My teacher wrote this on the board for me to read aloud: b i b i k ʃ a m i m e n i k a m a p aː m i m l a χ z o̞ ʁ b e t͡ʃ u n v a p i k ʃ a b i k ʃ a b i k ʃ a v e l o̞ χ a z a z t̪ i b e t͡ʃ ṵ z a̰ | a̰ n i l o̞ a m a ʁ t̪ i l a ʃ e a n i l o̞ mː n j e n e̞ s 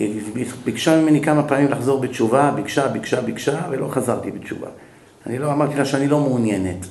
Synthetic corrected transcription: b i b i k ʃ a m i m e n i k a m a p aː m i m l a χ z o̞ ʁ b e t͡ʃ u v a b i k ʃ a b i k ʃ a b i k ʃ a v e l o̞ χ a z a ʁ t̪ i b e t͡ʃ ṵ v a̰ | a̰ n i l o̞ a m a ʁ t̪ i l a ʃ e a n i l o̞ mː n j e n e̞ t